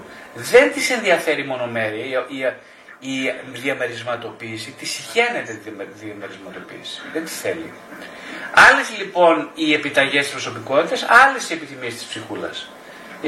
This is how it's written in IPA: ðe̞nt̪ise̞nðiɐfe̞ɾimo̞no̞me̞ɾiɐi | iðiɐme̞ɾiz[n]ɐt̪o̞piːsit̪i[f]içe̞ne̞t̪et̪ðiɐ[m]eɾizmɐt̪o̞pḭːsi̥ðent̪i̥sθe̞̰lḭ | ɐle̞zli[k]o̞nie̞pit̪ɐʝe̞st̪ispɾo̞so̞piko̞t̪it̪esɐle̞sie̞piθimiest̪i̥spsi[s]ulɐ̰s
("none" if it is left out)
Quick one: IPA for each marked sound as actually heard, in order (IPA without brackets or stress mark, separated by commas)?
m, s, m, p, x